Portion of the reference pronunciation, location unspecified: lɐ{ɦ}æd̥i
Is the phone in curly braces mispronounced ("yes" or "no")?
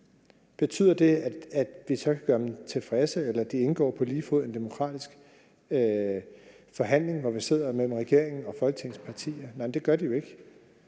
yes